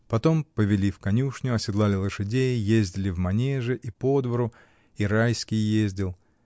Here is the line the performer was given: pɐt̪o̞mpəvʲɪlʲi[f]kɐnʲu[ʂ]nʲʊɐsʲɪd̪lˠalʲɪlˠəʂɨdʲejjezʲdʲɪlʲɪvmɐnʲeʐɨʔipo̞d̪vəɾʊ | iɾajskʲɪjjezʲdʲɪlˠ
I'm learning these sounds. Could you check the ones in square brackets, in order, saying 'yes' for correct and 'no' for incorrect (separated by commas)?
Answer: yes, yes